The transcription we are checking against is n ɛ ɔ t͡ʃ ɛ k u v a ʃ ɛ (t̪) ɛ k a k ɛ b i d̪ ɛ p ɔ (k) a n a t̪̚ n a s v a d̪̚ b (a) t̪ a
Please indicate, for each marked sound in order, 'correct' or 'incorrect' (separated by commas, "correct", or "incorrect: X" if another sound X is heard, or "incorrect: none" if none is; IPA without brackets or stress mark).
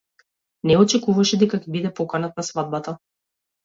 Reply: incorrect: d̪, correct, correct